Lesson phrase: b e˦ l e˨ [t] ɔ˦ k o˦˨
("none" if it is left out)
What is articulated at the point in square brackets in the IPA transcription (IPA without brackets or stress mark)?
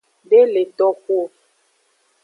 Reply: t